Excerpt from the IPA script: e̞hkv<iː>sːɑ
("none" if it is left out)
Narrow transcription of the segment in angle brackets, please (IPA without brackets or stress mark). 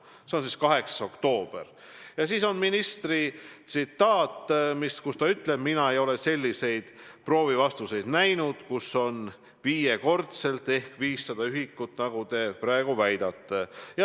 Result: iː